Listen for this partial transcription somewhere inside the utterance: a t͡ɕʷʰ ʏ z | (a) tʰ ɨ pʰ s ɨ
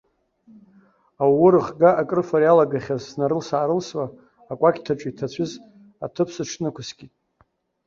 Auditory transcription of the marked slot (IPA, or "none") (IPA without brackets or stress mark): a